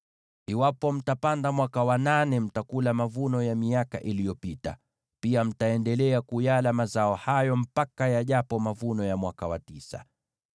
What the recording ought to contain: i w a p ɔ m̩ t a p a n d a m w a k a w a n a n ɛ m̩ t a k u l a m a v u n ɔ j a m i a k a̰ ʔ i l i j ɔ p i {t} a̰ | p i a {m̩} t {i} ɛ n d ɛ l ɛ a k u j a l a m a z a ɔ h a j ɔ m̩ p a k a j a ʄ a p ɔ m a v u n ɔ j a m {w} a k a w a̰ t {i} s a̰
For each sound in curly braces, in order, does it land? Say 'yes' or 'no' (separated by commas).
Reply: yes, yes, no, yes, yes